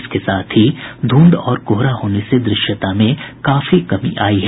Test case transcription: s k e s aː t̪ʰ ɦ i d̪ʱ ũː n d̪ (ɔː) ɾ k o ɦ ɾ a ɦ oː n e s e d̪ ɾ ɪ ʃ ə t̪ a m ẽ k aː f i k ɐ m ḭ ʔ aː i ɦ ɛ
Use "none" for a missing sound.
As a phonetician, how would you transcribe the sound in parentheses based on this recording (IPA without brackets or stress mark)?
ɔː